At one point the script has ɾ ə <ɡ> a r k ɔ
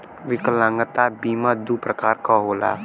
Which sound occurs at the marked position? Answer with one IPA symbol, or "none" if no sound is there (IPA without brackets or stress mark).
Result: k